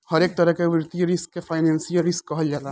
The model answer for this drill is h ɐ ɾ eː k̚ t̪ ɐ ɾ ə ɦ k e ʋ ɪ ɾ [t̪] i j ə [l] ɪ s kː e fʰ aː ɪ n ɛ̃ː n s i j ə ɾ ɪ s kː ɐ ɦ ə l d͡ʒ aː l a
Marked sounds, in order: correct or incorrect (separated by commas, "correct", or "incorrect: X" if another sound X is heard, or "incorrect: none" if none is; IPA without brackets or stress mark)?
correct, incorrect: ɾ